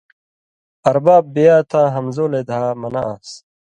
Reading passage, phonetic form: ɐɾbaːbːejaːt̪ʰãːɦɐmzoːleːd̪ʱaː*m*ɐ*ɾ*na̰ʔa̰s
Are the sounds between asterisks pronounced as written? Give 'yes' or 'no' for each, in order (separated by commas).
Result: yes, no